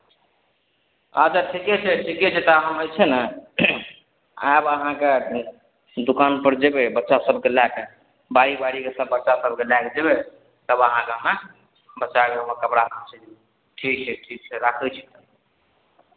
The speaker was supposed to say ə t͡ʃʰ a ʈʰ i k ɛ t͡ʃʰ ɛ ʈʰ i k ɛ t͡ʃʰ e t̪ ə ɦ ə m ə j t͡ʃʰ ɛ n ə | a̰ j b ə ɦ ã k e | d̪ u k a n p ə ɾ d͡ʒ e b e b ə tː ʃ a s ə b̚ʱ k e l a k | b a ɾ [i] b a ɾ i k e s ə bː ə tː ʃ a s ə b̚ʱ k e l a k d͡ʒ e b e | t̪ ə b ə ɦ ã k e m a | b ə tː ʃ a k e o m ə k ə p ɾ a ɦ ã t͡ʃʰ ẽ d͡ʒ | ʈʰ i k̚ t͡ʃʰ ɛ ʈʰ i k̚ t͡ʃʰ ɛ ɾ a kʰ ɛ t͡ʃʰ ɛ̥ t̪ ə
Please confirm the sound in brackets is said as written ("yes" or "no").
yes